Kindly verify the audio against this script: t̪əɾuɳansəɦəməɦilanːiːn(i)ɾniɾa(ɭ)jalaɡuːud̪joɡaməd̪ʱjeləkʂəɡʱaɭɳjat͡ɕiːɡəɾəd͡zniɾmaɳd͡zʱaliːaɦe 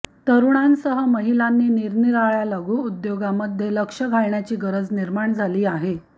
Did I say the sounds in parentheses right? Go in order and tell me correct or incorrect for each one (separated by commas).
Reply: correct, correct